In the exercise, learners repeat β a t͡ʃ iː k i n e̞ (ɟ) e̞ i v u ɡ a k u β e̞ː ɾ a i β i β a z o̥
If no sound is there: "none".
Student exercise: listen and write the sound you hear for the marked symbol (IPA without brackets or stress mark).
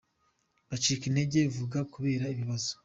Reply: ɟ